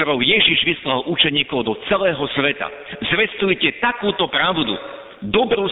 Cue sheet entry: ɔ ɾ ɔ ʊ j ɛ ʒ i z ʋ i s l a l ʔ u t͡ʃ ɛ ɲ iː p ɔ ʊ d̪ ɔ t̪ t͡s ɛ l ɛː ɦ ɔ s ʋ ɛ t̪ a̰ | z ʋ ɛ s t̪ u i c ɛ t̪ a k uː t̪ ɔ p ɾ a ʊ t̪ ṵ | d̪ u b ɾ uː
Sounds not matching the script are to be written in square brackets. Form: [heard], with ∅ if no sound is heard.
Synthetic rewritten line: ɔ ɾ ɔ ʊ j ɛ ʒ i [ʒ] ʋ i s l a l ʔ u t͡ʃ ɛ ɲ iː [k] ɔ ʊ d̪ ɔ [∅] t͡s ɛ l ɛː ɦ ɔ s ʋ ɛ t̪ a̰ | z ʋ ɛ s t̪ u [j] c ɛ t̪ a k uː t̪ ɔ p ɾ a ʊ [d̪] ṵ | d̪ [ɔ] b ɾ uː